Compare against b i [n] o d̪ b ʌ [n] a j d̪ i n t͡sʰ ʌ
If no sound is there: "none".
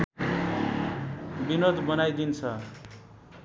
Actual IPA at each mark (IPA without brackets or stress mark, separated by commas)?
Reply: n, n